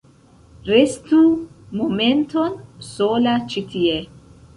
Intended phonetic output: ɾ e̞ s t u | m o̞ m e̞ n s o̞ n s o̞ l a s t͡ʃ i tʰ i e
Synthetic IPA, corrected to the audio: ɾ e̞ s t u | m o̞ m e̞ n t o̞ n s o̞ l a t͡ʃ i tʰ i e